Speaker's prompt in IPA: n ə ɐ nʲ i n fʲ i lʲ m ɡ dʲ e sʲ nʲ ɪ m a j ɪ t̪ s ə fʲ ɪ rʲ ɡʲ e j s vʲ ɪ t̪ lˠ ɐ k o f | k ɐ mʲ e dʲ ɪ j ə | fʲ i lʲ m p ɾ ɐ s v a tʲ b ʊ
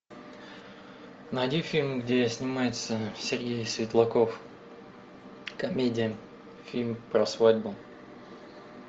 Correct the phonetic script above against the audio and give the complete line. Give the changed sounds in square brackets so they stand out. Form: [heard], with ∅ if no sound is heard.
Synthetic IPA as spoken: n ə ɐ [dʲ] i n fʲ i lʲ m ɡ dʲ e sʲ nʲ ɪ m a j ɪ t̪ s ə [sʲ] ɪ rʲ ɡʲ e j s vʲ ɪ t̪ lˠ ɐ k o f | k ɐ mʲ e dʲ ɪ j ə | fʲ i lʲ m p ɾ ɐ s v a [dʲ] b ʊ

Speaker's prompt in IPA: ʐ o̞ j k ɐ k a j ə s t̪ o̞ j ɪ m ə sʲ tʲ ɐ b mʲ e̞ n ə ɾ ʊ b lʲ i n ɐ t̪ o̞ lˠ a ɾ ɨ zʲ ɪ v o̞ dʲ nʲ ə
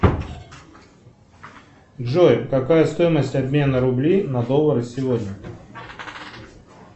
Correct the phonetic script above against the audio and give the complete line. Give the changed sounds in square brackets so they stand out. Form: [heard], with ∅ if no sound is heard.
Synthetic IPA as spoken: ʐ o̞ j k ɐ k a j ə s t̪ o̞ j ɪ m ə sʲ tʲ ɐ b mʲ e̞ n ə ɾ ʊ b lʲ i n ɐ [d̪] o̞ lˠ [ə] ɾ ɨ [sʲ] ɪ v o̞ dʲ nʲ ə

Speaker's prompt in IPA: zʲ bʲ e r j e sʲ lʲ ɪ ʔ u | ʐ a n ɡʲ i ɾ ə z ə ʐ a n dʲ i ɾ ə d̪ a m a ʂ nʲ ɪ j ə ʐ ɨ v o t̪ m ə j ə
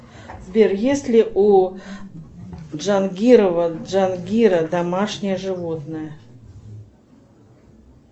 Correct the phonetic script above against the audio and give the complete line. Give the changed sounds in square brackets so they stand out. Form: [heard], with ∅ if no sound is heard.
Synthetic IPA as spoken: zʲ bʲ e r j e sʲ lʲ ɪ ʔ u | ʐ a n ɡʲ i ɾ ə [v] ə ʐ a n [ɡʲ] i ɾ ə d̪ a m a ʂ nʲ ɪ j ə ʐ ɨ v o t̪ [n] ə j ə

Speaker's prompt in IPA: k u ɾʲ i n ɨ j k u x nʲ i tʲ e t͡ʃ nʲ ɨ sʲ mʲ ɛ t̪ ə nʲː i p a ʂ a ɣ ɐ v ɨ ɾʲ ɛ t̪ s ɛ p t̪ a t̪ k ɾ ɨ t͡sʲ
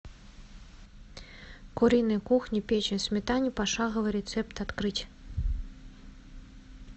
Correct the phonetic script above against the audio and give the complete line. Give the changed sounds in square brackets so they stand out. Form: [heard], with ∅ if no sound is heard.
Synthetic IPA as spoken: k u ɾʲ i n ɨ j k u x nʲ i [pʲ] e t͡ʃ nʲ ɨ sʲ mʲ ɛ t̪ [a] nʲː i p a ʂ a ɣ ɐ v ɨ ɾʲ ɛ t̪ s ɛ p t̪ a t̪ k ɾ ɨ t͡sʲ

